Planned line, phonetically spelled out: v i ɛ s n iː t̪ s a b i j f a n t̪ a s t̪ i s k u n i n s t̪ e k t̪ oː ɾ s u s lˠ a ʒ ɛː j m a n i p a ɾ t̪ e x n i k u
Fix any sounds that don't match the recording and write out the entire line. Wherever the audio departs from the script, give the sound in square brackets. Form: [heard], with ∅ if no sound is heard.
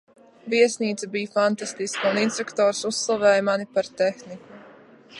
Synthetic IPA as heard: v i ɛ s n iː t̪ s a b i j f a n t̪ a s t̪ i s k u n i n s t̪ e k t̪ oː ɾ s u s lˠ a [v] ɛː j m a n i p a ɾ t̪ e x n i k u